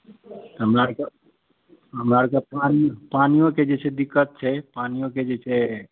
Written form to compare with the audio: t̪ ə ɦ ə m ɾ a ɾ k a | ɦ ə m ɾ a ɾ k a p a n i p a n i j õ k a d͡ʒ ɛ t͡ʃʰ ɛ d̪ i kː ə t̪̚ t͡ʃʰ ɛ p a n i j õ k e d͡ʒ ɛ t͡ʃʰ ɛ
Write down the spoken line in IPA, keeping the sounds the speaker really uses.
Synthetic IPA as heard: t̪ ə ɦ ə m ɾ a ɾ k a | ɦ ə m ɾ a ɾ k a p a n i p a n i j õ k e d͡ʒ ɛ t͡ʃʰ ɛ d̪ i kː ə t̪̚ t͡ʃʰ ɛ p a n i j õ k e d͡ʒ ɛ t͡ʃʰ ɛ